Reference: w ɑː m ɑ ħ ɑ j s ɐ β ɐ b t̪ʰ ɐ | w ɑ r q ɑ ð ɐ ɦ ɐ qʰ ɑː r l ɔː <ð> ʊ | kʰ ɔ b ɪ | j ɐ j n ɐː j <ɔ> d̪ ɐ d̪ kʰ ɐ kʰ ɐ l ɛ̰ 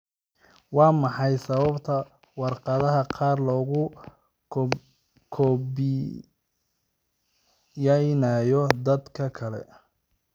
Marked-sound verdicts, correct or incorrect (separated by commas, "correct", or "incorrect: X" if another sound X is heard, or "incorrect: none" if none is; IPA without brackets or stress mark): incorrect: ɣ, correct